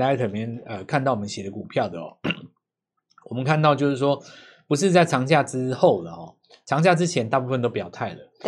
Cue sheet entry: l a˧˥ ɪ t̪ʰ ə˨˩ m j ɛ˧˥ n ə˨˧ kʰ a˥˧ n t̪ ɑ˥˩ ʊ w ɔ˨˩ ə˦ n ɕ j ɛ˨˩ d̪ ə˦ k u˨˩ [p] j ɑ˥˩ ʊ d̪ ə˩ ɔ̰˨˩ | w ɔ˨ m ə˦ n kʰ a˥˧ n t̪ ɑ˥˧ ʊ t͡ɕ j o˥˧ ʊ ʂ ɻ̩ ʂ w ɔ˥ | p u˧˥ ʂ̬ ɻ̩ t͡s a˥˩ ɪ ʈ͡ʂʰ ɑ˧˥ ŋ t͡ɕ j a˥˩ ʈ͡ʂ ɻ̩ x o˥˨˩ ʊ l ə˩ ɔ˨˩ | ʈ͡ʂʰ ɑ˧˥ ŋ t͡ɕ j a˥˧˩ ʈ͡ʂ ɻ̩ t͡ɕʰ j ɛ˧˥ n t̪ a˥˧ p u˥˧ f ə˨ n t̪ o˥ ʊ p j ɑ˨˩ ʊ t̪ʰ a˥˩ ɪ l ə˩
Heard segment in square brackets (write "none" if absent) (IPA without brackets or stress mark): pʰ